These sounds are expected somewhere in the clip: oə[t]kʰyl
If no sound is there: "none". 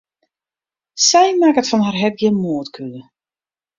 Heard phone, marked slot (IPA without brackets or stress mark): t